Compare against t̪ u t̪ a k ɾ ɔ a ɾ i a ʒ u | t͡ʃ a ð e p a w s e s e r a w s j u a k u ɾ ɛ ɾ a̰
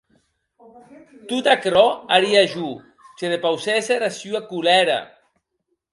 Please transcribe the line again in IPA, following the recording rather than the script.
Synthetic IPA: t̪ u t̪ a k ɾ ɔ a ɾ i a ʒ u | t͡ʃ e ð e p a w s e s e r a s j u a k u l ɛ ɾ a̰

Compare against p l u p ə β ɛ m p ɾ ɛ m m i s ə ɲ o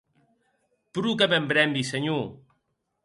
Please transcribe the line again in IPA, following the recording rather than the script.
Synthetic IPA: p ɾ u k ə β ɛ m b ɾ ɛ m b i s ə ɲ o

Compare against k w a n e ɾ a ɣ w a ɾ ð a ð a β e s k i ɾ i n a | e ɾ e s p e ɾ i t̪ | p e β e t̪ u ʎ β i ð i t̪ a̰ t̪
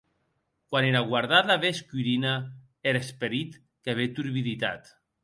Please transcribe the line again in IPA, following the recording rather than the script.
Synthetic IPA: k w a n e ɾ a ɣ w a ɾ ð a ð a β e s k i ɾ i n a | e ɾ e s p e ɾ i t̪ | k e β e t̪ u ɾ β i ð i t̪ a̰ t̪

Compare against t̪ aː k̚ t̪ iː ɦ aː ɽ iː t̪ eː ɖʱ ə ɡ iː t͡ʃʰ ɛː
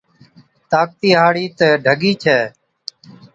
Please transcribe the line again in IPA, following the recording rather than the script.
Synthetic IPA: t̪ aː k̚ t̪ iː ɦ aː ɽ iː t̪ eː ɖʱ ə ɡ iː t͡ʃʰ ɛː

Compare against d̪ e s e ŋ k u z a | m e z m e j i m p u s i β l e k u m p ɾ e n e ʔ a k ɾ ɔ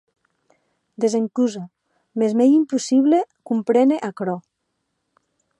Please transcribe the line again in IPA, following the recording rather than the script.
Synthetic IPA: d̪ e z e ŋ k u z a | m e z m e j i m p u s i β l e k u m p ɾ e n e ʔ a k ɾ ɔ

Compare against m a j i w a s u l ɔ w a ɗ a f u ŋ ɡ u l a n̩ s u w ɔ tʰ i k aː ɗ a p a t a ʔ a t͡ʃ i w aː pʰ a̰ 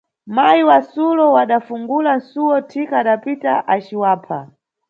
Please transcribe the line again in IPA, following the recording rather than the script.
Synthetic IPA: m a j i w a s u l ɔ w a ɗ a f u ŋ ɡ u l a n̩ s u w ɔ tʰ i k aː ɗ a p i t a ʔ a t͡ʃ i w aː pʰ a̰

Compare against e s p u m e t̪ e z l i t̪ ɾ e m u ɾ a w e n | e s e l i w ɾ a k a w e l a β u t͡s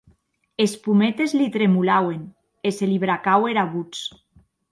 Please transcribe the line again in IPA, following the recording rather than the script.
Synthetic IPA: e s p u m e t̪ e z l i t̪ ɾ e m u l a w e n | e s e l i β ɾ a k a w e ɾ a β u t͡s

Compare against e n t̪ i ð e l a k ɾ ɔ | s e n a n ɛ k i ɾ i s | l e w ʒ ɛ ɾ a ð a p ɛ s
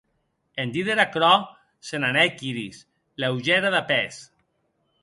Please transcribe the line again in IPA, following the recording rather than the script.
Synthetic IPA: e n d̪ i ð e ɾ a k ɾ ɔ | s e n a n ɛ k i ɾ i s | l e w ʒ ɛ ɾ a ð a p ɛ s

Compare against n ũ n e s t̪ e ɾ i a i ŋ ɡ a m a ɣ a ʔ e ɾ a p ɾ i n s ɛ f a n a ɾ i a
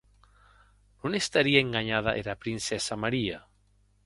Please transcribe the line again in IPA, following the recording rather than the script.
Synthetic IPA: n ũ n e s t̪ a ɾ i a e ŋ ɡ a ɲ a ð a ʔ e ɾ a p ɾ i n s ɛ s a m a ɾ i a

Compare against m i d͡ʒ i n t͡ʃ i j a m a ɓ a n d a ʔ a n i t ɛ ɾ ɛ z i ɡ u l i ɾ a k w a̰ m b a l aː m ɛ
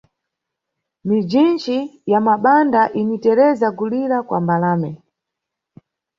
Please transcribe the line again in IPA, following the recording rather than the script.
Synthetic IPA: m i d͡ʒ i n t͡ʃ i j a m a ɓ a n d a ʔ i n i t ɛ ɾ ɛ z a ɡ u l i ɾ a k w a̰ m b a l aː m ɛ

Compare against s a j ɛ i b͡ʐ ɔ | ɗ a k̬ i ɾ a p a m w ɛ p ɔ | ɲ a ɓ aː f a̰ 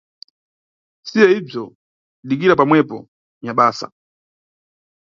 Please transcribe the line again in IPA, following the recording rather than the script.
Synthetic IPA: s i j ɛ i b͡ʐ ɔ | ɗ i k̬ i ɾ a p a m w ɛ p ɔ | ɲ a ɓ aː s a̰

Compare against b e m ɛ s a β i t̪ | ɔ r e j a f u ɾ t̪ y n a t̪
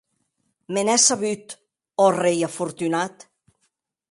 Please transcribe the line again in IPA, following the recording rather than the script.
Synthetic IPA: m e n ɛ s a β y t̪ | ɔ r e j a f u ɾ t̪ y n a t̪

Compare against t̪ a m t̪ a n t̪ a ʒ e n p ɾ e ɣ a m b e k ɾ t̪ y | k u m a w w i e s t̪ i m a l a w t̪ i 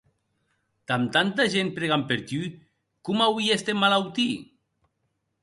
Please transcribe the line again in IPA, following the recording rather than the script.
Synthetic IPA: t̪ a m t̪ a n t̪ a ʒ e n p ɾ e ɣ a m p e ɾ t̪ y | k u m a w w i e s t̪ e m a l a w t̪ i

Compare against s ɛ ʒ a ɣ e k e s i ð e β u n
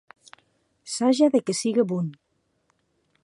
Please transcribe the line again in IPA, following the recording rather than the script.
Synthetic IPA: s a ʒ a ð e k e s i ɣ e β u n

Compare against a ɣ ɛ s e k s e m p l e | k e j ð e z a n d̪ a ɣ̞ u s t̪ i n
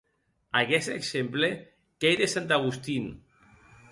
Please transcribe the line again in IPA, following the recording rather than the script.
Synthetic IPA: a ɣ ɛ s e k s e m p l e | k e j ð e s a n t̪ a ɣ̞ u s t̪ i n

